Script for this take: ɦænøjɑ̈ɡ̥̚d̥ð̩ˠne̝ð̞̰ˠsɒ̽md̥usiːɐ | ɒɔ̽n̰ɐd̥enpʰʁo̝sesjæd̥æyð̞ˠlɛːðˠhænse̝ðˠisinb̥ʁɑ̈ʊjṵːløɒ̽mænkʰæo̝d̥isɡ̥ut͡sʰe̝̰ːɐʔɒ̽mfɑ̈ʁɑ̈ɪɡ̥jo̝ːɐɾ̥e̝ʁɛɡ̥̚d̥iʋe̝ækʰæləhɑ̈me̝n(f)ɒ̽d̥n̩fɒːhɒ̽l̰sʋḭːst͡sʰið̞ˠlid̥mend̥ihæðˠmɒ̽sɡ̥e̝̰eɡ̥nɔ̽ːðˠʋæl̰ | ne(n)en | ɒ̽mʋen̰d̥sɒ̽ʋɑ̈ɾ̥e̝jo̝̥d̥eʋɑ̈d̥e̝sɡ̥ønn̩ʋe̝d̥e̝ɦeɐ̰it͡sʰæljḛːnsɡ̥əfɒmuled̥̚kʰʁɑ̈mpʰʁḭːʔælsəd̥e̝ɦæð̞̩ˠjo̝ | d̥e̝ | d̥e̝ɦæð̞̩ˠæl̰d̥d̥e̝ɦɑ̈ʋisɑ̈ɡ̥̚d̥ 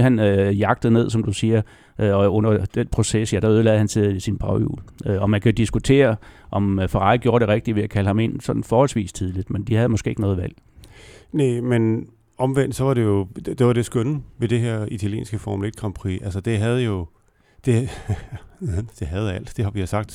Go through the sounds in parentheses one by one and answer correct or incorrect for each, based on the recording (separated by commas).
incorrect, incorrect